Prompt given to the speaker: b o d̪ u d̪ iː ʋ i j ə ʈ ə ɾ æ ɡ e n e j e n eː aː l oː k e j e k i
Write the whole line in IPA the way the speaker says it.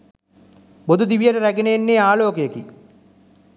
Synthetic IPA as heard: b o d̪ u d̪ i ʋ i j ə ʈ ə ɾ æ ɡ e n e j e nː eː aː l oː k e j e k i

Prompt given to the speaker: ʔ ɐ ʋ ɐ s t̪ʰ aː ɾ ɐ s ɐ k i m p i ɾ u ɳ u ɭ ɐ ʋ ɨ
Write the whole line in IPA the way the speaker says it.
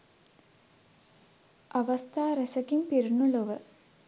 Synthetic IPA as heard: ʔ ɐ ʋ ɐ s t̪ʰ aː ɾ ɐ s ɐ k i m p i ɾ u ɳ u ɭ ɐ ʋ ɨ

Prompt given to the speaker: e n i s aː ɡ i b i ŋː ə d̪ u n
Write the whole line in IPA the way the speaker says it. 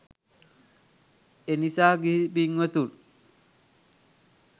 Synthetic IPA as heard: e n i s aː ɡ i b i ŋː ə t̪ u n

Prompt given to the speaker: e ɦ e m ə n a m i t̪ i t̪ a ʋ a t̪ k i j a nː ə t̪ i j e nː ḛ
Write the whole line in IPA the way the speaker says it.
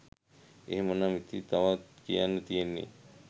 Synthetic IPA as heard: e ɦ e m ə n a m i t̪ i t̪ a ʋ a t̪ k i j a nː ə t̪ i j e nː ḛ

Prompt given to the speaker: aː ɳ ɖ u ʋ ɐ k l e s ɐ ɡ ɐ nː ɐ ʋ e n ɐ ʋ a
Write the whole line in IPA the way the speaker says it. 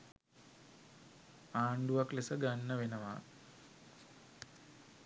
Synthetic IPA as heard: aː ɳ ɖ u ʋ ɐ k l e s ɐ ɡ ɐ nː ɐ ʋ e n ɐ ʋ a

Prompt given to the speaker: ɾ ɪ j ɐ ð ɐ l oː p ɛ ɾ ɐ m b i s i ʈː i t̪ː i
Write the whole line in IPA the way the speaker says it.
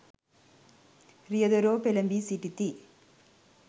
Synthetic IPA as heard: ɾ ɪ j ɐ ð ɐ ɾ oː p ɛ l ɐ m b i s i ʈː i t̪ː i

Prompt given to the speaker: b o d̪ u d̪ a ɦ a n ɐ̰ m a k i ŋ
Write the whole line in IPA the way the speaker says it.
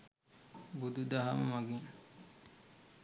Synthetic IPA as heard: b u d̪ u d̪ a ɦ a m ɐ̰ m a ɡ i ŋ

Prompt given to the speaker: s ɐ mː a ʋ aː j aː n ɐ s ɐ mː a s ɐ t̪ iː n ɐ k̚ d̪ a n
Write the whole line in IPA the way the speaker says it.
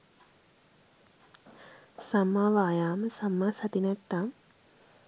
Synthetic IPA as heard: s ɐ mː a ʋ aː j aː m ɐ s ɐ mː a s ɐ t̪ i n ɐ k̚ t̪ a m

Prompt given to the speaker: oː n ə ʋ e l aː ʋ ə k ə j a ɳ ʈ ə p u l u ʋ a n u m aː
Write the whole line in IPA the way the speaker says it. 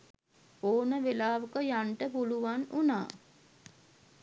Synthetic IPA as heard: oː n ə ʋ e l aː ʋ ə k ə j a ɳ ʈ ə p u l u ʋ a n u n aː

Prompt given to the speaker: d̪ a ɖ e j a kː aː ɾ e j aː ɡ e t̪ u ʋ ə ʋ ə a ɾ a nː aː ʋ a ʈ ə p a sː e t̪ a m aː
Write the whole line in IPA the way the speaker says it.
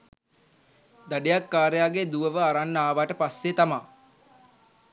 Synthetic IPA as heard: d̪ a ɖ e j a kː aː ɾ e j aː ɡ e d̪ u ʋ ə ʋ ə a ɾ a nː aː ʋ a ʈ ə p a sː e t̪ a m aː

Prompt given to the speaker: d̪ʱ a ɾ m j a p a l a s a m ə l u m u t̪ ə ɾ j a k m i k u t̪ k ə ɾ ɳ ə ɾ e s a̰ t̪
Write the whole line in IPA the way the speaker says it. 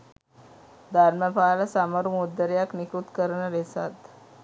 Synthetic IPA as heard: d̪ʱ a ɾ m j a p a l a s a m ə ɾ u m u d̪ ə ɾ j a k n i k u t̪ k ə ɾ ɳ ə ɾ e s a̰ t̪

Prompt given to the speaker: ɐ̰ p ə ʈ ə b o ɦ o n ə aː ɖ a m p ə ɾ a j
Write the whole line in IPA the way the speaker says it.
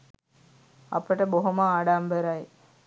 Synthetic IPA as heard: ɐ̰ p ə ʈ ə b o ɦ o m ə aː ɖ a m b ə ɾ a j

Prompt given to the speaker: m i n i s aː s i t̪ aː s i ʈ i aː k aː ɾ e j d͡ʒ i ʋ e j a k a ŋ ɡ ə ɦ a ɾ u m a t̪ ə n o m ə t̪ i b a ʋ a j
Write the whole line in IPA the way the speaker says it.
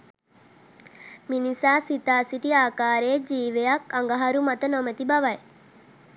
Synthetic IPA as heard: m i n i s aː s i t̪ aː s i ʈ i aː k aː ɾ e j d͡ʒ iː ʋ e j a k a ŋ ɡ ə ɦ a ɾ u m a t̪ ə n o m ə t̪ i b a ʋ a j

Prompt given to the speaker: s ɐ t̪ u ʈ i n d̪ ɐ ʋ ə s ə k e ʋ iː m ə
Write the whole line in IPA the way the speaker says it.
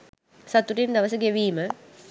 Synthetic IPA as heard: s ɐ t̪ u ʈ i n d̪ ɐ ʋ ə s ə ɡ e ʋ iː m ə

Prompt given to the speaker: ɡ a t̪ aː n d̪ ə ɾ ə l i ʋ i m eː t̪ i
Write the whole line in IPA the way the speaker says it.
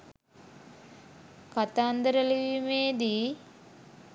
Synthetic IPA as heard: k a t̪ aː n d̪ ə ɾ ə l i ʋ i m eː d̪ i

